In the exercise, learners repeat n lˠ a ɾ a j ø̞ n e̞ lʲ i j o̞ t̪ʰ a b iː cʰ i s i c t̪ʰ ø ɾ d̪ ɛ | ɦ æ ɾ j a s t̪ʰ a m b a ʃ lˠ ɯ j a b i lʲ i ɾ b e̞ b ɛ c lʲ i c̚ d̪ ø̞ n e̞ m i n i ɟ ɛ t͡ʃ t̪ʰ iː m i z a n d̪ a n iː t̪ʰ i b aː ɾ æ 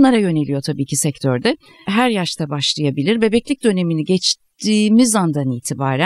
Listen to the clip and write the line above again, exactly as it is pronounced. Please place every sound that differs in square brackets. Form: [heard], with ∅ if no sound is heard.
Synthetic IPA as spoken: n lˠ a ɾ a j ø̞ n e̞ lʲ i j o̞ t̪ʰ a b iː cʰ i s [ɛ] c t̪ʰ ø ɾ d̪ ɛ | ɦ æ ɾ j a [ʃ] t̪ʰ a [∅] b a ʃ lˠ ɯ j a b i lʲ i ɾ b e̞ b ɛ c lʲ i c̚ d̪ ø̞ n e̞ m i n i ɟ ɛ t͡ʃ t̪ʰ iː m i z a n d̪ a n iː t̪ʰ i b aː ɾ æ